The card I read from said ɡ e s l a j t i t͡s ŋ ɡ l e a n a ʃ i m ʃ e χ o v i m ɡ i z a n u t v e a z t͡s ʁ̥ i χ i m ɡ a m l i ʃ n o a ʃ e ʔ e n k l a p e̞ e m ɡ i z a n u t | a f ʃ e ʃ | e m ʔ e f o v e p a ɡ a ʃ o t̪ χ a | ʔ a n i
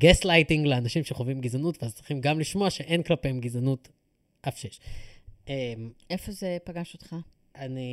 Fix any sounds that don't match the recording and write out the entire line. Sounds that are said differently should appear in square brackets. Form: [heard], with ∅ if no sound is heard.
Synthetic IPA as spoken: ɡ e s l a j t i [∅] ŋ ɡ l e a n a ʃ i m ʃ e χ o v i m ɡ i z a n u t v e a z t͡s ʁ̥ i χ i m ɡ a m l i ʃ [m] o a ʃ e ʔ e n k l a p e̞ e m ɡ i z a n u t | a f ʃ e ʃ | e m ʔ e f o [z] e p a ɡ a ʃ o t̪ χ a | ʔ a n i